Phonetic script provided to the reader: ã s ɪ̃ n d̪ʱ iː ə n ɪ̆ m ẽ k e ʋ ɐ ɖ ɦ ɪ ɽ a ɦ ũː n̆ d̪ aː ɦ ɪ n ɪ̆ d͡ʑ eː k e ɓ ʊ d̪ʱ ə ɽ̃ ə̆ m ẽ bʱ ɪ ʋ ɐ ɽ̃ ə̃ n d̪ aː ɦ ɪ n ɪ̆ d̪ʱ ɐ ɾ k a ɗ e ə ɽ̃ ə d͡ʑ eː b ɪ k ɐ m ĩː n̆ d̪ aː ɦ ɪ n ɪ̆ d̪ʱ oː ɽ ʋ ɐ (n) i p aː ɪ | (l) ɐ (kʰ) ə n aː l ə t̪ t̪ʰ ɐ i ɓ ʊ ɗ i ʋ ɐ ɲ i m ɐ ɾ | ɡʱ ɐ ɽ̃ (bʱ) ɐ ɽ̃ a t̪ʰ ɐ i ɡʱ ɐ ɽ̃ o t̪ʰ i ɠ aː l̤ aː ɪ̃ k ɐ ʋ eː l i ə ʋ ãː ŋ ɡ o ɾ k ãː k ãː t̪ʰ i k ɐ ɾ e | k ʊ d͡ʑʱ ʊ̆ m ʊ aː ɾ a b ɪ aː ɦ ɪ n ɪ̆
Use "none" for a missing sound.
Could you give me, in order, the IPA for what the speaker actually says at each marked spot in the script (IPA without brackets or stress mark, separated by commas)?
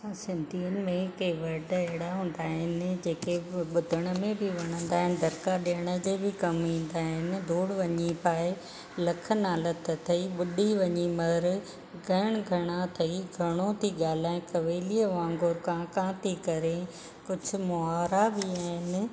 ɲ, l, kʰ, ɡʱ